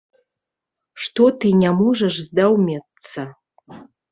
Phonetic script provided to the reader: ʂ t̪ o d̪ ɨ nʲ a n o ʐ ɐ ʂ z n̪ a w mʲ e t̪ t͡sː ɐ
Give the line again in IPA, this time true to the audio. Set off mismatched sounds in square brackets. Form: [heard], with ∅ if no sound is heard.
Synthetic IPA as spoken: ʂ t̪ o [t̪] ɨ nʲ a [m] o ʐ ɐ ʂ z [d̪] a w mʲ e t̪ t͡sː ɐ